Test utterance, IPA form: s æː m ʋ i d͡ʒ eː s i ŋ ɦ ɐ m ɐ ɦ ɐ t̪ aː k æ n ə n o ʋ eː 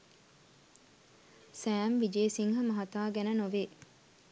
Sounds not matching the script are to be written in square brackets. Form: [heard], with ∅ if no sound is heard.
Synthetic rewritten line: s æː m ʋ i d͡ʒ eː s i ŋ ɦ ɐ m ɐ ɦ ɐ t̪ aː [ɡ] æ n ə n o ʋ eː